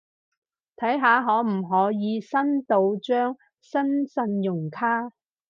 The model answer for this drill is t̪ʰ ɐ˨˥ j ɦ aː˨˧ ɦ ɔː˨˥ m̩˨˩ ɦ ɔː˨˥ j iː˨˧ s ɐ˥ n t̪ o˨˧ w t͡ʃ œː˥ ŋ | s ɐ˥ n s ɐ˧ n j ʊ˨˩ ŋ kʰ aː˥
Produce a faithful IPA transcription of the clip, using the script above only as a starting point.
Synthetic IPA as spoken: t̪ʰ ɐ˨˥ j ɦ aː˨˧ ɦ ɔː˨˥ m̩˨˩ ɦ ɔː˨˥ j iː˨˧ s ɐ˥ n t̪ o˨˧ w t͡ʃ œː˥ ŋ | s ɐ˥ n s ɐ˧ n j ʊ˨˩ ŋ kʰ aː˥

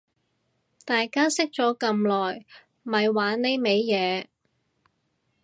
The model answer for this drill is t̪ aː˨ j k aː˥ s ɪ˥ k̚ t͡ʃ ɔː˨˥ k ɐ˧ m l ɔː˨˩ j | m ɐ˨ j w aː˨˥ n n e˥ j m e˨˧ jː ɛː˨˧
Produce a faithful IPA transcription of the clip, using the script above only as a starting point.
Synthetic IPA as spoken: t̪ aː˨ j k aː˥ s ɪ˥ k̚ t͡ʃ ɔː˨˥ k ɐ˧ m l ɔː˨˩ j | m ɐ˨ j w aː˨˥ n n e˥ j m e˨˧ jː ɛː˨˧

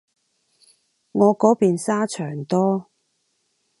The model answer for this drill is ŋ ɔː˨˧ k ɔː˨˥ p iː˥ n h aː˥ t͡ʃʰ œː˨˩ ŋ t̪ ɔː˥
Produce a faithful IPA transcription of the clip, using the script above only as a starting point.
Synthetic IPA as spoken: ŋ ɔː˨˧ k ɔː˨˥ p iː˨ n s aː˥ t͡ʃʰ œː˨˩ ŋ t̪ ɔː˥

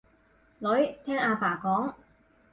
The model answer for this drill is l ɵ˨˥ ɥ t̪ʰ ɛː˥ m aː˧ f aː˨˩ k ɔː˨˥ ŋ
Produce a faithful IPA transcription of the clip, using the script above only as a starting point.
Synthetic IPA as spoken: l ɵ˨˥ ɥ t̪ʰ ɛː˥ ŋ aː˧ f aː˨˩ k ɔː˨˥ ŋ

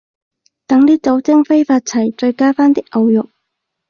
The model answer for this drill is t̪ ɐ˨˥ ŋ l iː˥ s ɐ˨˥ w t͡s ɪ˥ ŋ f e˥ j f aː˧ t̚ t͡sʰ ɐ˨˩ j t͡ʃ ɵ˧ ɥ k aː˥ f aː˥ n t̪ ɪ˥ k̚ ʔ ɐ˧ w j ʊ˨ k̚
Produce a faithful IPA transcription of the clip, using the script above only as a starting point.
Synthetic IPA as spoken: t̪ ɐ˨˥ ŋ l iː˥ t͡s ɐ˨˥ w t͡s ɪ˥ ŋ f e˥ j f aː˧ t̚ t͡sʰ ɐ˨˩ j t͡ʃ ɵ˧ ɥ k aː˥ f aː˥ n t̪ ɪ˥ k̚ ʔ ɐ˧ w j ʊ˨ k̚

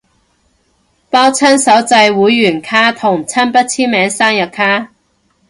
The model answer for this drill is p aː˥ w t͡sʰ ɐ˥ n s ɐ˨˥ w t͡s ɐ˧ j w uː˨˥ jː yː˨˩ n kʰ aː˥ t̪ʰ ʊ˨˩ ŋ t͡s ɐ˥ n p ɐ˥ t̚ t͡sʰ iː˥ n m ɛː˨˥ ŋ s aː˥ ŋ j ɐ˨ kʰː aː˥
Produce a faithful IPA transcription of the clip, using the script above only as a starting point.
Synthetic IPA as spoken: p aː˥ w t͡sʰ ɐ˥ n s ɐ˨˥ w t͡s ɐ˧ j w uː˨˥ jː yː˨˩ n kʰ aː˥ t̪ʰ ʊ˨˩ ŋ t͡sʰ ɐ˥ n p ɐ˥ t̚ t͡sʰ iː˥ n m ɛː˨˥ ŋ s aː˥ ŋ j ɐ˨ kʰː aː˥

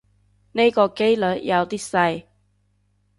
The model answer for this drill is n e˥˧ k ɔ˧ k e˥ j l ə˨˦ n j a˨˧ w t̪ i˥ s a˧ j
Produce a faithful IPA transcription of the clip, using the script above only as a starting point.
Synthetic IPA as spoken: n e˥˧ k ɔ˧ k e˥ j l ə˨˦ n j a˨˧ w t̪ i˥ s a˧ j

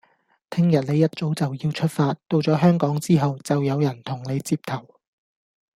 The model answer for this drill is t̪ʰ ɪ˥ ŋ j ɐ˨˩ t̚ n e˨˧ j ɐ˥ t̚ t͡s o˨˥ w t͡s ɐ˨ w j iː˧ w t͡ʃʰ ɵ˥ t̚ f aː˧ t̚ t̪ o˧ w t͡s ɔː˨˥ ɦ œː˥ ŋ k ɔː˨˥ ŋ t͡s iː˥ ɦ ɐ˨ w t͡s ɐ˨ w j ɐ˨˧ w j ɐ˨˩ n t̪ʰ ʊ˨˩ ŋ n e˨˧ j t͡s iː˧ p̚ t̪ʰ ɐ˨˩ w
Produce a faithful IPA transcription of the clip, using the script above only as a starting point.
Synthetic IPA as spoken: t̪ʰ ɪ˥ ŋ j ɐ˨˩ t̚ n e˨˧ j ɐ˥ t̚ t͡s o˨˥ w t͡s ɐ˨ w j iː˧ w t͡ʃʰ ɵ˥ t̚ f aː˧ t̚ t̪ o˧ w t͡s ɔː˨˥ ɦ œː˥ ŋ k ɔː˨˥ ŋ t͡s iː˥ ɦ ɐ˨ w t͡s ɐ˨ w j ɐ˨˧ w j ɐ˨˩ n t̪ʰ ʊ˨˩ ŋ n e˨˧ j t͡s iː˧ p̚ t̪ʰ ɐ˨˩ w

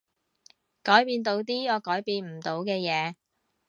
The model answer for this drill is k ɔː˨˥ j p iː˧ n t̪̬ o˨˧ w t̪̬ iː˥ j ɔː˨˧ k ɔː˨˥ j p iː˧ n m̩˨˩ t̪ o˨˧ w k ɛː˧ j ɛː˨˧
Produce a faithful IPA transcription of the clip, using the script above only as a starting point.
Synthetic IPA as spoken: k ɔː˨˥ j p iː˧ n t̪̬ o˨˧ w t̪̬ iː˥ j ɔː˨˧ k ɔː˨˥ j p iː˧ n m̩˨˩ t̪ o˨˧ w k ɛː˧ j ɛː˨˧

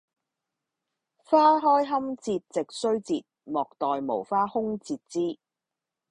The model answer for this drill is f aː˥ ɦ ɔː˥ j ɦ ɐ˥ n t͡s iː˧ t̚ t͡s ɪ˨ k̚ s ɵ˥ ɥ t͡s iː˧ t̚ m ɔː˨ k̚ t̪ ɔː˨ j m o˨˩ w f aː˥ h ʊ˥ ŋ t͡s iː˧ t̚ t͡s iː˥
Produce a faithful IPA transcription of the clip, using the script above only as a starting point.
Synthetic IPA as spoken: f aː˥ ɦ ɔː˥ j ɦ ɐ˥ m t͡s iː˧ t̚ t͡s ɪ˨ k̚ s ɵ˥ ɥ t͡s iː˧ t̚ m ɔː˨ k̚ t̪ ɔː˨ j m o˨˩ w f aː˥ h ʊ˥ ŋ t͡s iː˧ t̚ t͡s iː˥

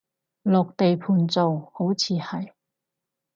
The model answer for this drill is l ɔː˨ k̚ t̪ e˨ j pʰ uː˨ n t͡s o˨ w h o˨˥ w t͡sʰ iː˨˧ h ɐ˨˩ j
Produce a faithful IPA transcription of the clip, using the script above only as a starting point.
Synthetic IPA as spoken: l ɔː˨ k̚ t̪ e˨ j pʰ uː˨ n t͡s o˨ w h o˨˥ w t͡sʰ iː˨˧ h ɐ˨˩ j

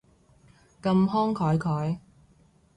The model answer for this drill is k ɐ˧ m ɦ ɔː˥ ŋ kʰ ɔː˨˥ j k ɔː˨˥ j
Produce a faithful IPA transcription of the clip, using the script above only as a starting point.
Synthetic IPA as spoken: k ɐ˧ m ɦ ɔː˥ ŋ kʰ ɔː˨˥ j kʰ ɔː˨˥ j

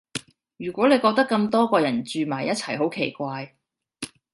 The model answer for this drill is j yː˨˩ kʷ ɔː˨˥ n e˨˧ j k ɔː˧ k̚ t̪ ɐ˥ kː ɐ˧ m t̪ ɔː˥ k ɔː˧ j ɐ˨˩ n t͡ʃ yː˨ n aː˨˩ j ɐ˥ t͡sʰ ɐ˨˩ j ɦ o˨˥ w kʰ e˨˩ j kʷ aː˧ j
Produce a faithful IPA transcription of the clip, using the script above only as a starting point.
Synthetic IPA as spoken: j yː˨˩ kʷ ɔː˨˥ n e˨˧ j k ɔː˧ k̚ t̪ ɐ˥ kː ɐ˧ m t̪ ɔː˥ k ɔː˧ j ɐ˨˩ n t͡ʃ yː˨ m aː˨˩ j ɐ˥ t͡sʰ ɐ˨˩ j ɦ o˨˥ w kʰ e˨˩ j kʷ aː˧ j

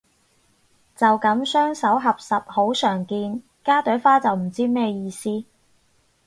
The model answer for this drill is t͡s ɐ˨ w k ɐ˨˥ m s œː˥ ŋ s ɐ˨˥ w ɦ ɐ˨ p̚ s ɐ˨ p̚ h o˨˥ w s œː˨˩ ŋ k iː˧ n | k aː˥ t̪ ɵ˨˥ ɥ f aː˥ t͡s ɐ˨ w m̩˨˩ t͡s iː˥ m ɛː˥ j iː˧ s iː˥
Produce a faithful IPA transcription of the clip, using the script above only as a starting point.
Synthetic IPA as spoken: t͡s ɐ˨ w k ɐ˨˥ m s œː˥ ŋ s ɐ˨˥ w ɦ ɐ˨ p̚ s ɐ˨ p̚ h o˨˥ w s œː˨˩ ŋ k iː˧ n | k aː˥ t̪ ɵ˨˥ ɥ f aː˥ t͡s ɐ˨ w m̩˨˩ t͡s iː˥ m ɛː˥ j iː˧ s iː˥

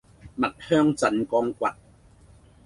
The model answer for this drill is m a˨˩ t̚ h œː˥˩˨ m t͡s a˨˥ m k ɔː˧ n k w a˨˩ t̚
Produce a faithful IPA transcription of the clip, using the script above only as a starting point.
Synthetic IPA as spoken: m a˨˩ t̚ h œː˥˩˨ ŋ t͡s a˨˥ n k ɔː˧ ŋ k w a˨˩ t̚

